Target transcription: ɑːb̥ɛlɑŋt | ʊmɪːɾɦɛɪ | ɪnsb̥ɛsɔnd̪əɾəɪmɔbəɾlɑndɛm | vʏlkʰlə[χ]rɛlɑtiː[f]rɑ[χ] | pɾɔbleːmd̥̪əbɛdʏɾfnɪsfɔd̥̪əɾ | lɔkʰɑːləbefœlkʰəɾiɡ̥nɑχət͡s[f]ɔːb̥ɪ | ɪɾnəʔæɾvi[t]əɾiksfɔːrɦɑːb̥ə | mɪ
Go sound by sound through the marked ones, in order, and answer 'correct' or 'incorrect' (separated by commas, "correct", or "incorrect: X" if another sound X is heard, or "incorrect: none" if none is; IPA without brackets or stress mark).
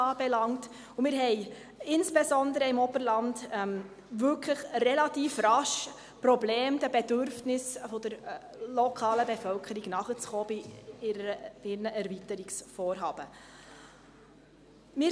correct, correct, incorrect: ʃ, incorrect: χ, correct